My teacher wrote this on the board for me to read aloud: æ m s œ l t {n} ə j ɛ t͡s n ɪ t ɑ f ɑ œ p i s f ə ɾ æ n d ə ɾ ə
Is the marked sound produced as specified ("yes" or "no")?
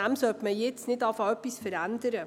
no